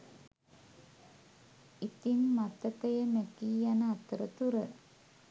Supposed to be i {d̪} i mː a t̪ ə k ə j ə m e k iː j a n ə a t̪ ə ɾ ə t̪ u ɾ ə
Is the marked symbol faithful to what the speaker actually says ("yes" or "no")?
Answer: no